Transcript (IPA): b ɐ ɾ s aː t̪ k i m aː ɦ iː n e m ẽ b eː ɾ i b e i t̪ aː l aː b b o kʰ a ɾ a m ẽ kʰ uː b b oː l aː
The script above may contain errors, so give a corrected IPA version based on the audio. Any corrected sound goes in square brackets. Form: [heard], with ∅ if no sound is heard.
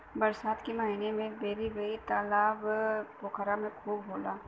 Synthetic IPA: b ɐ ɾ s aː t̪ k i m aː ɦ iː n e m ẽ b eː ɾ i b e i t̪ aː l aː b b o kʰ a ɾ a m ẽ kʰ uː b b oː l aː